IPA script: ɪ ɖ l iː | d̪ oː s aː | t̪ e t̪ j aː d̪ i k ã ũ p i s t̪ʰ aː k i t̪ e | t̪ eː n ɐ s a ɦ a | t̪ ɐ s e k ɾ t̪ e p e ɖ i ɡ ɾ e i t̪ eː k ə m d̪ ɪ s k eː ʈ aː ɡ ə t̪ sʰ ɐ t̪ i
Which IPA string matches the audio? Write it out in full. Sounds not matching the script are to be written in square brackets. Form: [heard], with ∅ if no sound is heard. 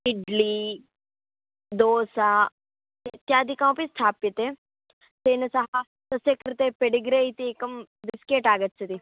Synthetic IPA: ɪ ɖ l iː | d̪ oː s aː | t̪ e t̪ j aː d̪ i k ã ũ p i s t̪ʰ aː [p] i t̪ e | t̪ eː n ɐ s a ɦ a | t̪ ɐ s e k ɾ t̪ e p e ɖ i ɡ ɾ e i t̪ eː k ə m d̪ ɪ s k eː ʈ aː ɡ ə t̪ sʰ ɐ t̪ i